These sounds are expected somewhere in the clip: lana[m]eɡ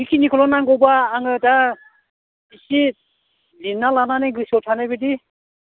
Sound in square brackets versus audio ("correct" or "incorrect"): incorrect